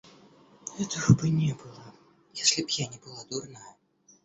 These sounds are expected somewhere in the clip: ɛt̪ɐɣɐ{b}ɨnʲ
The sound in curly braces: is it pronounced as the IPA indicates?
yes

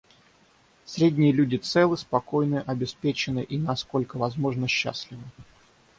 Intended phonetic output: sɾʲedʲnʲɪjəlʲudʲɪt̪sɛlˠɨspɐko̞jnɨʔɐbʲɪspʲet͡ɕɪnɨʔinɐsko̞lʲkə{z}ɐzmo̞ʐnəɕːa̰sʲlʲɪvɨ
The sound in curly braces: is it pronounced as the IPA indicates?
no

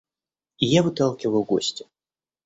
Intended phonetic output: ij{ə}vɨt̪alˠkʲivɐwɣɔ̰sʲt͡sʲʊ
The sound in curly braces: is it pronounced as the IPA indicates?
no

